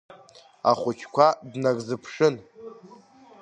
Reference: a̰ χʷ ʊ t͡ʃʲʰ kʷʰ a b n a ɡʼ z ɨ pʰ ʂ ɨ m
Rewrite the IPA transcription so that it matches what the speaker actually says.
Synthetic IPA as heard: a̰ χʷ ʊ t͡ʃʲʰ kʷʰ a d n a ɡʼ z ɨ pʰ ʂ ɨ n